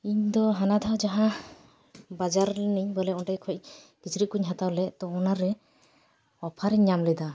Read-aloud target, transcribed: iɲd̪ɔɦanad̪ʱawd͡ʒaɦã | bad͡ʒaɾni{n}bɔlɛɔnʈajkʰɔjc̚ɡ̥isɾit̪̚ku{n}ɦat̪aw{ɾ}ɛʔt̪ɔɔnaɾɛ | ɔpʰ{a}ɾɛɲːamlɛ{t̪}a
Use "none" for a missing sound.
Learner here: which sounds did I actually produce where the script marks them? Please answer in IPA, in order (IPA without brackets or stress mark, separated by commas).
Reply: ɲ, ɲ, l, a, d̪